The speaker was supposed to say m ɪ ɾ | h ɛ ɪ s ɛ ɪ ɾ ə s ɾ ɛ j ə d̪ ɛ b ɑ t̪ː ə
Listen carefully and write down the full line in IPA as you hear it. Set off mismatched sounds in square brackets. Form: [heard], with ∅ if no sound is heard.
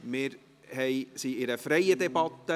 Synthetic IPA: m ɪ ɾ | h ɛ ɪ s [i] ɪ ɾ ə [f] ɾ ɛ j ə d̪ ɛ b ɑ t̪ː ə